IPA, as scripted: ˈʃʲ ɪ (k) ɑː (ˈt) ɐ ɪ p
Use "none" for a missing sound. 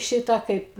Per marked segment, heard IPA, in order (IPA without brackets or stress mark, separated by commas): t, k